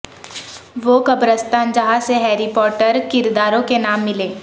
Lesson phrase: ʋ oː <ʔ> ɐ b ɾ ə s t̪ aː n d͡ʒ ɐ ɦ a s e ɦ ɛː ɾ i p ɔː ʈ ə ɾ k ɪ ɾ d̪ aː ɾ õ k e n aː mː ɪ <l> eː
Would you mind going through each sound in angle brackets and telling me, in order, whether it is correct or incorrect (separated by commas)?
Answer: incorrect, correct